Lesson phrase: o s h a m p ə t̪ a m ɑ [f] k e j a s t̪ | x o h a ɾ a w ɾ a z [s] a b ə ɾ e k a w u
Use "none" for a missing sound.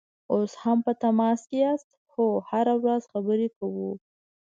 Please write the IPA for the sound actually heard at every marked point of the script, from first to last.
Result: s, x

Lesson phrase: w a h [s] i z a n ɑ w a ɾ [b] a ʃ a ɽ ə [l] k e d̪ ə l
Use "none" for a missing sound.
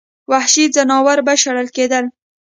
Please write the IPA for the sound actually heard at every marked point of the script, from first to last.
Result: ʃ, b, l

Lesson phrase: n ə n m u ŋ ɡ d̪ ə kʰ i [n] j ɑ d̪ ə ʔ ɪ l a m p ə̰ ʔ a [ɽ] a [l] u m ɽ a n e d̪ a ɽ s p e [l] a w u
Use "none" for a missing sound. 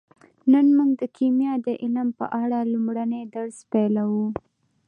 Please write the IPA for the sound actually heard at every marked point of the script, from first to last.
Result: m, ɽ, l, l

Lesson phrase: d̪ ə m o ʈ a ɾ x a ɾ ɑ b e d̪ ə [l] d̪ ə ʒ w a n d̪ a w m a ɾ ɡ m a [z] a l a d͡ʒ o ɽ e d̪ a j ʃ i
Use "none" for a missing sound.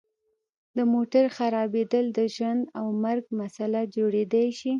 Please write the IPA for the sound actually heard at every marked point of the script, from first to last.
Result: l, s

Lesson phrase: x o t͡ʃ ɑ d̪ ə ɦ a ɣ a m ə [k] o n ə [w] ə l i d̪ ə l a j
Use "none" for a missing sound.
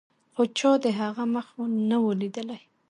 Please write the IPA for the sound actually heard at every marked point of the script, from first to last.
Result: x, w

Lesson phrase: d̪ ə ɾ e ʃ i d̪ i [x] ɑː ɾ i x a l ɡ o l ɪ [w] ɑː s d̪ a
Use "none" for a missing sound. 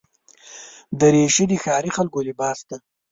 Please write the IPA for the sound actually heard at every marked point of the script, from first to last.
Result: x, b

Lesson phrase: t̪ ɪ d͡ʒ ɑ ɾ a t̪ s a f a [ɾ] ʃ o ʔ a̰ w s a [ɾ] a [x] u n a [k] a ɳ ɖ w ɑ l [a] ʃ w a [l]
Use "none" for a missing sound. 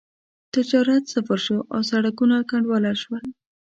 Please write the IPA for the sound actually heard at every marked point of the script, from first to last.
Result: ɾ, ɽ, k, k, a, l

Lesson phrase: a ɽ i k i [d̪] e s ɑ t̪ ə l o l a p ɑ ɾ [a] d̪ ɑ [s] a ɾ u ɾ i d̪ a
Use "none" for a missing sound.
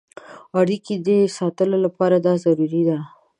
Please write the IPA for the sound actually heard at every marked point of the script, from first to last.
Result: d̪, a, z

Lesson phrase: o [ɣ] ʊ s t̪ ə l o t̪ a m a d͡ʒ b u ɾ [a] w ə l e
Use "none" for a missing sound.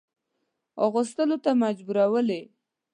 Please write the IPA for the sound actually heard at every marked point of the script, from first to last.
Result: ɣ, a

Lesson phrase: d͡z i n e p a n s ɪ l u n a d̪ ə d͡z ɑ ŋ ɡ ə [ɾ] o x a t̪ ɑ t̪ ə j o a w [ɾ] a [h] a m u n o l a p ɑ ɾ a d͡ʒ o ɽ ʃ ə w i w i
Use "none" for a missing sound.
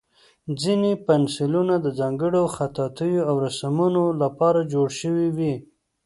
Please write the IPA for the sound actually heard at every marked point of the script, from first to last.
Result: ɽ, ɾ, s

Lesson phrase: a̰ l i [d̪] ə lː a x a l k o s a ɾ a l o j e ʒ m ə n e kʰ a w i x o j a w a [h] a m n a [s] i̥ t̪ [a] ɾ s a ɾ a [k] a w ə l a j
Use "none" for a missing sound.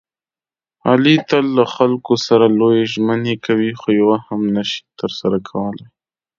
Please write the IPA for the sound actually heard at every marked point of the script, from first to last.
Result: t̪, h, ʃ, ə, kʰ

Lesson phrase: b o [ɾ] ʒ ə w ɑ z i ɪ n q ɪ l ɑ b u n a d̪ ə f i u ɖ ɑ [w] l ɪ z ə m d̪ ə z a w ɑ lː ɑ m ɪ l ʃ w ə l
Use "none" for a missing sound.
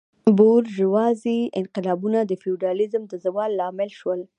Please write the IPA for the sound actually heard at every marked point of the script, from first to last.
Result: ɾ, none

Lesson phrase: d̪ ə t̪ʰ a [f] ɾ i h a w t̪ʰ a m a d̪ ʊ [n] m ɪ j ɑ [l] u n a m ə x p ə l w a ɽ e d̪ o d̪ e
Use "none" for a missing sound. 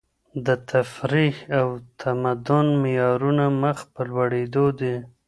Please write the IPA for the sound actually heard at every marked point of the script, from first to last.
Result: f, n, ɾ

